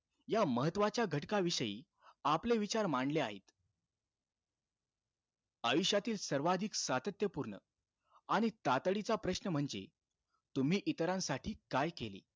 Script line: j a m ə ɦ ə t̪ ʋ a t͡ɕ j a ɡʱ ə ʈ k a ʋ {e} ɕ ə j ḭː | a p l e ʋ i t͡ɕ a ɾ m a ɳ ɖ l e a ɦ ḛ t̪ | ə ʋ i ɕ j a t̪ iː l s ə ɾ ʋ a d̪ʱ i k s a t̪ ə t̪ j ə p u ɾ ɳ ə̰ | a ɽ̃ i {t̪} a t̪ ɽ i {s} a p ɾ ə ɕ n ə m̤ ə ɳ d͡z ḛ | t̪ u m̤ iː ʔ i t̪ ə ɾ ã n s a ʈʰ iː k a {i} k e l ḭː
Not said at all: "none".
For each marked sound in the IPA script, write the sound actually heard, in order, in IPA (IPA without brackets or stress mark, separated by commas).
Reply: i, t̪, t͡s, j